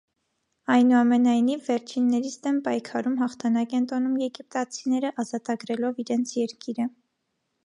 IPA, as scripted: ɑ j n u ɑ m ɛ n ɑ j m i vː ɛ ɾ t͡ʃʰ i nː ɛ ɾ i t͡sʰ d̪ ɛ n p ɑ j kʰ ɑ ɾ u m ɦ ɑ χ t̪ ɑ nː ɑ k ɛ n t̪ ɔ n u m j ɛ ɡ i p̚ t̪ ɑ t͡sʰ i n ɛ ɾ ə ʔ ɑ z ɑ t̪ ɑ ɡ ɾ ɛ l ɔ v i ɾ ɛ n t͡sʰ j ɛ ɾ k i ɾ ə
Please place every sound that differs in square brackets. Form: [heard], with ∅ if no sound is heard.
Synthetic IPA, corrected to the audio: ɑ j n u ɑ m ɛ n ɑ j [n] i vː ɛ ɾ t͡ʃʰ i nː ɛ ɾ i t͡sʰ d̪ ɛ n p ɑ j kʰ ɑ ɾ u m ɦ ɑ χ [t̪ʰ] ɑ [n] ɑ k ɛ n t̪ ɔ n u m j ɛ ɡ i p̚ t̪ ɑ t͡sʰ i n ɛ ɾ ə ʔ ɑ z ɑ t̪ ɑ ɡ ɾ ɛ l ɔ v i ɾ ɛ n t͡sʰ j ɛ ɾ k i ɾ ə